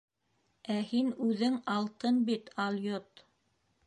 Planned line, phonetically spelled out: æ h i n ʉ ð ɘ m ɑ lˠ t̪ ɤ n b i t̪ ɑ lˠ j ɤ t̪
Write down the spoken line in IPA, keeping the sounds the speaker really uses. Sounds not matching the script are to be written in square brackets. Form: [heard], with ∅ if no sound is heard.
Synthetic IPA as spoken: æ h i n ʉ ð ɘ [ŋ] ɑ lˠ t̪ ɤ n b i t̪ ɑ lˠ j [o] t̪